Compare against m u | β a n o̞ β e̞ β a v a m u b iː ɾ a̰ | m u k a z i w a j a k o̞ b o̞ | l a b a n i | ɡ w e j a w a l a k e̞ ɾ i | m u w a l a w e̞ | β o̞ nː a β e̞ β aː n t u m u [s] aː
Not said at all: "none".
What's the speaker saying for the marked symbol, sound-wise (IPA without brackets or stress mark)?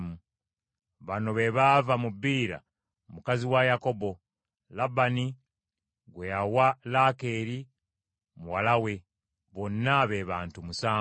s